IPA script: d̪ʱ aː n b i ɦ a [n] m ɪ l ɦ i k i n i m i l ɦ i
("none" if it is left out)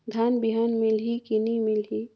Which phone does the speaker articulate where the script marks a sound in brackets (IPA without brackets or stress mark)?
n